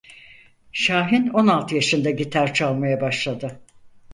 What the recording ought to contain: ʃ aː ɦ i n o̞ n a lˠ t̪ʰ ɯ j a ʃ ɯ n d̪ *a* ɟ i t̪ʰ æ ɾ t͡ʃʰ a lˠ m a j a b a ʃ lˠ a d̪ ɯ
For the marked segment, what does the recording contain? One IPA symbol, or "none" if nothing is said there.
a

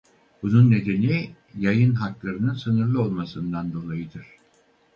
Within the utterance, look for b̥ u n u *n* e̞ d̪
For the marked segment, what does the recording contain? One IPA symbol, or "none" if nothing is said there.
nː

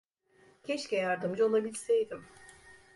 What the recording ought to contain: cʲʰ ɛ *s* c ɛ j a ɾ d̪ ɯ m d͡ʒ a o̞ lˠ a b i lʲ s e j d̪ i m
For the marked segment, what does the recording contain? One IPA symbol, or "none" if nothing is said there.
ʃ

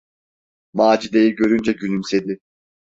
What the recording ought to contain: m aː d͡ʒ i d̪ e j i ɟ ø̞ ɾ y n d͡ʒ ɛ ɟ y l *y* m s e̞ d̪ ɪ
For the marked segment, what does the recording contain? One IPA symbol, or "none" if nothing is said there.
y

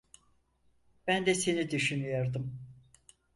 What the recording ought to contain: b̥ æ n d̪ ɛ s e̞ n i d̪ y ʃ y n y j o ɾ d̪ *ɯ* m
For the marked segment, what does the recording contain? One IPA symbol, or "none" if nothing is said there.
ɯ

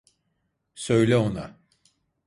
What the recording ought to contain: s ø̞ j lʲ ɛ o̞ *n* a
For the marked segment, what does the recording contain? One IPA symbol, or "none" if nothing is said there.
n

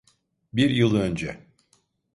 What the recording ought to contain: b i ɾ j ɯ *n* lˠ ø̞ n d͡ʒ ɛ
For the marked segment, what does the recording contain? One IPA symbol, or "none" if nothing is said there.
none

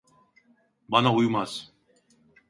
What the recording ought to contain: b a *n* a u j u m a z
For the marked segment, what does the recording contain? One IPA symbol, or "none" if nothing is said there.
n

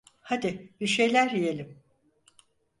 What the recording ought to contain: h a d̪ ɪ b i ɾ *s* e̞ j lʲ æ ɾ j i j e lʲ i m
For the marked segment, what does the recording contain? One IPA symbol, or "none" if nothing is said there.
ʃ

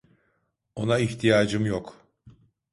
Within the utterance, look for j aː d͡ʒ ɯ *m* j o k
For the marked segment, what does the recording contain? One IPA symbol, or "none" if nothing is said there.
m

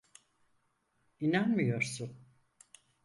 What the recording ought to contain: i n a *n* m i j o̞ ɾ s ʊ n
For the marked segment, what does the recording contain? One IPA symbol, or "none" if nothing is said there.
n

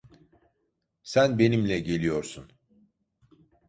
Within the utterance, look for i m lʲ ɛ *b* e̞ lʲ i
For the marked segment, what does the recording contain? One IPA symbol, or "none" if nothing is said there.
ɟ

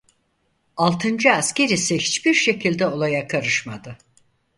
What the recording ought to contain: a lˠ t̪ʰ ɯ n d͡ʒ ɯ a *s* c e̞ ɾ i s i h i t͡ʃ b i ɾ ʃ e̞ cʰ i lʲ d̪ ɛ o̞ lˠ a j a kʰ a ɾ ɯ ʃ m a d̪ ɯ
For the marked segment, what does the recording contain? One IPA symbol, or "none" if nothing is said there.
s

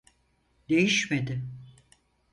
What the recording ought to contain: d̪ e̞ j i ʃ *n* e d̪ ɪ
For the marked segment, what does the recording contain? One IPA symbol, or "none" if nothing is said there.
m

